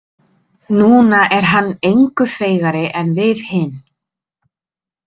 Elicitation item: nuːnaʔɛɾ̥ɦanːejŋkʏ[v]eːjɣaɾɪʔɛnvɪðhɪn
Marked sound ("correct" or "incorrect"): incorrect